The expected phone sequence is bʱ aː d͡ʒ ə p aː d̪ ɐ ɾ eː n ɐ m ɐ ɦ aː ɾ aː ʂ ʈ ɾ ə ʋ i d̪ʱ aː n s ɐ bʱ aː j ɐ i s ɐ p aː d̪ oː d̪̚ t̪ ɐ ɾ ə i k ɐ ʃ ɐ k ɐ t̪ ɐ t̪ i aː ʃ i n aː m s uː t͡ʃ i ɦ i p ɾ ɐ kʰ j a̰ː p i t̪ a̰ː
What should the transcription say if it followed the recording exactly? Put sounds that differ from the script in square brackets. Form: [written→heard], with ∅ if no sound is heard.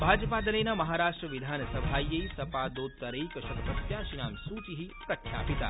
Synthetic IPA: bʱ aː d͡ʒ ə p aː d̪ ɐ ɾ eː n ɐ m ɐ ɦ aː ɾ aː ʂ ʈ ɾ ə ʋ i d̪ʱ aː n s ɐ bʱ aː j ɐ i s ɐ p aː d̪ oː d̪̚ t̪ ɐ ɾ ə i k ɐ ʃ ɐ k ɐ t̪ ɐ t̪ [i→j] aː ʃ i n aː m s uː t͡ʃ i ɦ i p ɾ ɐ kʰ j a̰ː p i t̪ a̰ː